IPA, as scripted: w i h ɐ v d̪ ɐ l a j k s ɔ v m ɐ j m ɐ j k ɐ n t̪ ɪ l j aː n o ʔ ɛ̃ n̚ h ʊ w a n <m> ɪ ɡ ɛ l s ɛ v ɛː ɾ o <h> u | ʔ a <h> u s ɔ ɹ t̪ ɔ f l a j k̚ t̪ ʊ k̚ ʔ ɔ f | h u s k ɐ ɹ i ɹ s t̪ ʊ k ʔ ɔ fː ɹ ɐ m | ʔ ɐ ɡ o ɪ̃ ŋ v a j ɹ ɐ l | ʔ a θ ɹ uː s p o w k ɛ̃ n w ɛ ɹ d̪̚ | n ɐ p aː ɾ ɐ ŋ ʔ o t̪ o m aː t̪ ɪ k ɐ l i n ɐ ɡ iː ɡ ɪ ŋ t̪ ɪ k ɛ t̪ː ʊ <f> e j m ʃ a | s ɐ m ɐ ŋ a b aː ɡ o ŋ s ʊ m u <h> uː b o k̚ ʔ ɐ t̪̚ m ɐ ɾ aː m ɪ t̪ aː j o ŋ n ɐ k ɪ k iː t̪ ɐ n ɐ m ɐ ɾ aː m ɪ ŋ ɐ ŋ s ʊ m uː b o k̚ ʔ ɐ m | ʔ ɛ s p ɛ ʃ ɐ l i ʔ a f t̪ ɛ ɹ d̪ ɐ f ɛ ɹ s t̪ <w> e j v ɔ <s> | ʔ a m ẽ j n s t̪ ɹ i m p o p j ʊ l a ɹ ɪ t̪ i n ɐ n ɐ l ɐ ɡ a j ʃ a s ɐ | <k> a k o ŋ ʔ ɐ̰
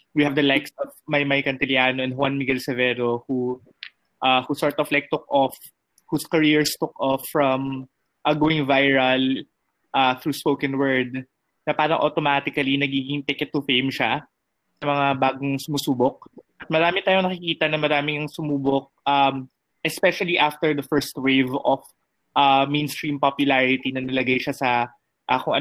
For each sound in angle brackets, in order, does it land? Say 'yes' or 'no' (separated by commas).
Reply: yes, yes, yes, yes, no, yes, no, no